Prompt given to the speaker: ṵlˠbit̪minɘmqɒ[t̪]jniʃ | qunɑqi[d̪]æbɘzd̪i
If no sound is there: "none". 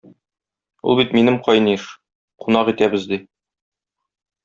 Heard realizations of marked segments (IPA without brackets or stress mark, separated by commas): none, t̪